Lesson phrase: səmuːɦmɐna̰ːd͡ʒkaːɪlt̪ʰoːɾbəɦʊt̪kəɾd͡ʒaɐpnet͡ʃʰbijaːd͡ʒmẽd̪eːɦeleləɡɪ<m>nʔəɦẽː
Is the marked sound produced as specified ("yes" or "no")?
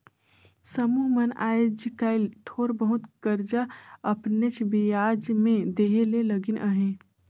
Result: no